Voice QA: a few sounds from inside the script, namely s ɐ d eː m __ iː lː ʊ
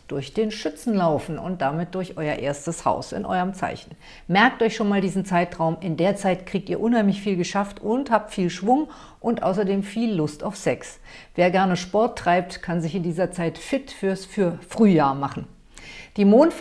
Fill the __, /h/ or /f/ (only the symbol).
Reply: f